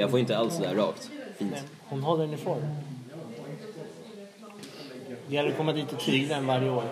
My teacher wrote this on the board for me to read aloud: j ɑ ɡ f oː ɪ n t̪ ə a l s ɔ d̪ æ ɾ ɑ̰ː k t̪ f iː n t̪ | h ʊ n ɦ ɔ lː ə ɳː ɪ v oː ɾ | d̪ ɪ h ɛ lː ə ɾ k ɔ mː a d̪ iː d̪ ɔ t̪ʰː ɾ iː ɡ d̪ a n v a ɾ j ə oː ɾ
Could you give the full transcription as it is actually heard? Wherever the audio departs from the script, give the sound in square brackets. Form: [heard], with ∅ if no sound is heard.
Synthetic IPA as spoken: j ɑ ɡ f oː ɪ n t̪ ə a l s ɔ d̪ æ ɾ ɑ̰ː k t̪ f iː n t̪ | h ʊ n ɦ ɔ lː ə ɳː ɪ [f] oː ɾ | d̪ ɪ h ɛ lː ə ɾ k ɔ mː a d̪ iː [t̪] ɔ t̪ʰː ɾ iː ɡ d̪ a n v a ɾ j ə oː ɾ